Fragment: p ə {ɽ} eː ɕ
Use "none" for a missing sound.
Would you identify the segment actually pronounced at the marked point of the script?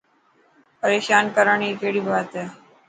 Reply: ɾ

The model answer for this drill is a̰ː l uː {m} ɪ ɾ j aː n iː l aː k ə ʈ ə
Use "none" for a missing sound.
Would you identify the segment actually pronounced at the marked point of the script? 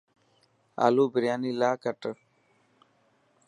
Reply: b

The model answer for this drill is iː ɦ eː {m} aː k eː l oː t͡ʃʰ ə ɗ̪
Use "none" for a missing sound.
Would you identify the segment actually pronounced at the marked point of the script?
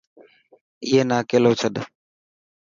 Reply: n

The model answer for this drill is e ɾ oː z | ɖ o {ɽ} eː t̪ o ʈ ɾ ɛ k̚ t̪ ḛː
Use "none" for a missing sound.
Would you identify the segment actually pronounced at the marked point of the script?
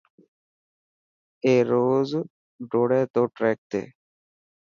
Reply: ɽ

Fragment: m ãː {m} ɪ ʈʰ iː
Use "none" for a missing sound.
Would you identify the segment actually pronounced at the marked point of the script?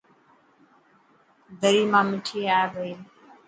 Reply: m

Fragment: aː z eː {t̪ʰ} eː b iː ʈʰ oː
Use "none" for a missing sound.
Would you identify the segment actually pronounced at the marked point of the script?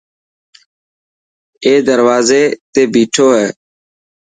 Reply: t̪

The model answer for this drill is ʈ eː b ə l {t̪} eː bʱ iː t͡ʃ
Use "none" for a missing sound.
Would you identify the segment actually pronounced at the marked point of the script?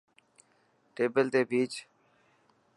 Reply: t̪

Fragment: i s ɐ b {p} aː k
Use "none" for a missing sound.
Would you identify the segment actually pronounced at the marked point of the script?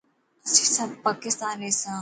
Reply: p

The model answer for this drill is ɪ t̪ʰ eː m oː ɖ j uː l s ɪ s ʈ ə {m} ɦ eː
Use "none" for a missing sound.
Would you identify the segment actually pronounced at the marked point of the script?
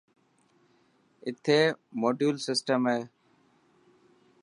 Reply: m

